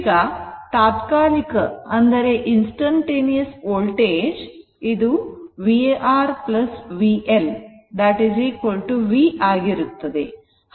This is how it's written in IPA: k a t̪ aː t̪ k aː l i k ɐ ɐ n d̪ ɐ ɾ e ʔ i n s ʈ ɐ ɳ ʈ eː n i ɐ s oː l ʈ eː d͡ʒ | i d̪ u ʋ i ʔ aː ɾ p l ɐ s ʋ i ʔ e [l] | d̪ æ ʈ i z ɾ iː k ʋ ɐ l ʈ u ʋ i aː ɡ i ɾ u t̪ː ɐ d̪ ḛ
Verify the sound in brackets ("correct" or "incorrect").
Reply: correct